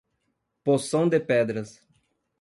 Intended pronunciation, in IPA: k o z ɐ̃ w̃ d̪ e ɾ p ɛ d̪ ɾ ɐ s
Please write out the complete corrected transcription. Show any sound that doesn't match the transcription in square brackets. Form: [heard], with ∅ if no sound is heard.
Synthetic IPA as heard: [p] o [s] ɐ̃ w̃ d̪ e [∅] p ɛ d̪ ɾ ɐ s